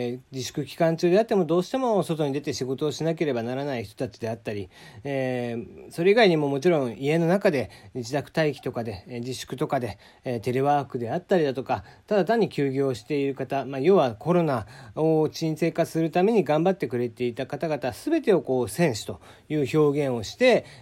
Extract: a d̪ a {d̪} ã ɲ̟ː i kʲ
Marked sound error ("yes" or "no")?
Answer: yes